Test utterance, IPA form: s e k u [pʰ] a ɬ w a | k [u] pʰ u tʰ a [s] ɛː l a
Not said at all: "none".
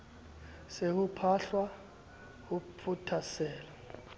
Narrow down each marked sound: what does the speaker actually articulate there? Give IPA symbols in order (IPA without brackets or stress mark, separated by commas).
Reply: pʰ, u, s